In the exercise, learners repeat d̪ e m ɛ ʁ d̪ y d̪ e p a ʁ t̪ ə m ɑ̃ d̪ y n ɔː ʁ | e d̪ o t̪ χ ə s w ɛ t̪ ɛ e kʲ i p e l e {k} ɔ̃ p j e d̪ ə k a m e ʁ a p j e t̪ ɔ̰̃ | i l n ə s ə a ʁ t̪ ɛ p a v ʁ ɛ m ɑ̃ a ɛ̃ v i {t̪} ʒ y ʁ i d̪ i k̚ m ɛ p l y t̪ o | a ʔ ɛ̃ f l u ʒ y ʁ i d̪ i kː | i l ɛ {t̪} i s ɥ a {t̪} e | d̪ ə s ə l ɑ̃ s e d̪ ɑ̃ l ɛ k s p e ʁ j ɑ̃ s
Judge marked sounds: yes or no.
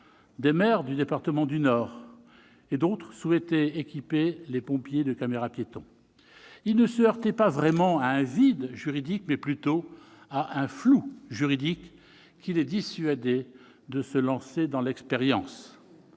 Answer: no, no, no, no

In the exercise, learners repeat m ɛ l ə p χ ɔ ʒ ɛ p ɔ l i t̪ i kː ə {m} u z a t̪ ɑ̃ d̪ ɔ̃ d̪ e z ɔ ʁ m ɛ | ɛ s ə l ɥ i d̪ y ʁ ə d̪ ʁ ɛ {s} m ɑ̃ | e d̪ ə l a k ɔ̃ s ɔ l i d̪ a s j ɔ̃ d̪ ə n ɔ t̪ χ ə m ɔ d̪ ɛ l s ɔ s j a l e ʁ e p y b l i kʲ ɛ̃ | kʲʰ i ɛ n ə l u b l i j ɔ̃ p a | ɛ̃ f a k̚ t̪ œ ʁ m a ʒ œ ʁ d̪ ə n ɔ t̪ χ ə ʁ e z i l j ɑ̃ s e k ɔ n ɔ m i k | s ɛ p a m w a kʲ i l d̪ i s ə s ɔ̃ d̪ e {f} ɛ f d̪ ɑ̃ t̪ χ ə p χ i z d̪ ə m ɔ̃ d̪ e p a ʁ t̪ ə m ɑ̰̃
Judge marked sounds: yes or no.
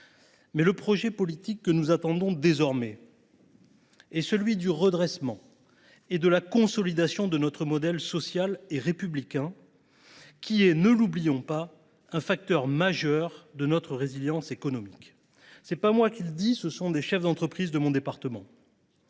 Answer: no, yes, no

